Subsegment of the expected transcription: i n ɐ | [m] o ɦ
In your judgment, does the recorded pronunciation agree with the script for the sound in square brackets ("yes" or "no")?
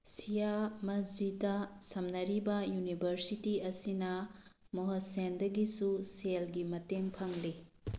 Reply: yes